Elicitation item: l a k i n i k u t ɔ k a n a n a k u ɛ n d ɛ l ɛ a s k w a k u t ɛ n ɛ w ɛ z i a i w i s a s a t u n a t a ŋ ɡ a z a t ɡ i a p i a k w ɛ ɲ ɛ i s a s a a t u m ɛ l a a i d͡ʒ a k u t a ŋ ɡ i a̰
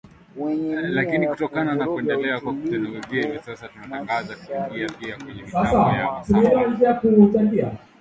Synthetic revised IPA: l a k i n i k u t ɔ k a n a n a k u ɛ n d ɛ l ɛ a k w a k u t ɛ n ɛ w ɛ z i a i v i s a s a t u n a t a ŋ ɡ a z a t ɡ i a p i a k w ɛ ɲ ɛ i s a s a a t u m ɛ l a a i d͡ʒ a k u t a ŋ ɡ i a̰